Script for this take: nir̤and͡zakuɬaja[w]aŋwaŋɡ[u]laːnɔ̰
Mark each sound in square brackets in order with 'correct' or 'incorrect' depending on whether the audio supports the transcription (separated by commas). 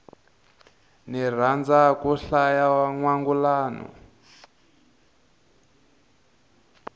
correct, correct